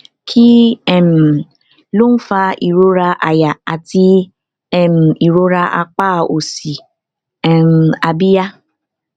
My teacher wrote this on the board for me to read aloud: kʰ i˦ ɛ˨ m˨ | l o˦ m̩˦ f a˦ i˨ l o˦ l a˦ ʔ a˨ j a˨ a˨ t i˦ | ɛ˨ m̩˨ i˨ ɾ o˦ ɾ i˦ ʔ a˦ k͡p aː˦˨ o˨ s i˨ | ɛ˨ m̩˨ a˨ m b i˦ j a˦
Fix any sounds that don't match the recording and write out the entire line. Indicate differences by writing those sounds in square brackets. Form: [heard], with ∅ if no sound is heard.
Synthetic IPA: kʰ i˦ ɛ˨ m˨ | l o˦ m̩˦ f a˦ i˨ [ɾ] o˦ [ɾ] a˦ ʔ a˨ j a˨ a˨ t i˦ | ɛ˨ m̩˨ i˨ ɾ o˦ ɾ [a˦] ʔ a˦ k͡p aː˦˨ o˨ s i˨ | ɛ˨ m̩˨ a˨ [∅] b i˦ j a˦